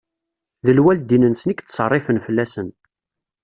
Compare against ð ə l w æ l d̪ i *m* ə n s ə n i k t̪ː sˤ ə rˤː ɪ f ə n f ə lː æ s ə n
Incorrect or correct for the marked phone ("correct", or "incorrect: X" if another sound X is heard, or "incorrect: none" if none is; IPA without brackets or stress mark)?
incorrect: n